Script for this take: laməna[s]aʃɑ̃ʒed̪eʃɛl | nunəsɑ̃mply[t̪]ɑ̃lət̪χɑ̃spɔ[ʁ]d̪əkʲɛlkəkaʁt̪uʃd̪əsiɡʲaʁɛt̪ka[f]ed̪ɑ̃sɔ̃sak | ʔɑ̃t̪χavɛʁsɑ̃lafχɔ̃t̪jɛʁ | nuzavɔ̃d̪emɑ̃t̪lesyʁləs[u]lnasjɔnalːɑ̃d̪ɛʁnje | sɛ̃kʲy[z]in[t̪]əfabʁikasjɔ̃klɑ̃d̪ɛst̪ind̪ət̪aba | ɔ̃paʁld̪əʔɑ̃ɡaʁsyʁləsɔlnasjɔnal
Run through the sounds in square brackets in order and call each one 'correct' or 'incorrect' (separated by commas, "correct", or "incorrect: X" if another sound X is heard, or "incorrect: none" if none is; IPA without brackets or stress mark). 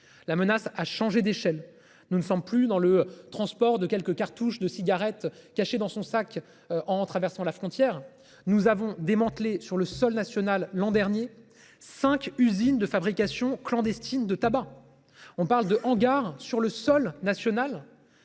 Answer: correct, incorrect: d̪, correct, incorrect: ʃ, incorrect: ɔ, correct, incorrect: d̪